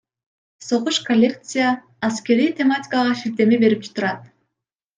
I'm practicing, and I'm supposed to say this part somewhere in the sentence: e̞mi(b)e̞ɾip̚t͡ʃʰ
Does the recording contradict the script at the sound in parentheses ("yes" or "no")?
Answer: no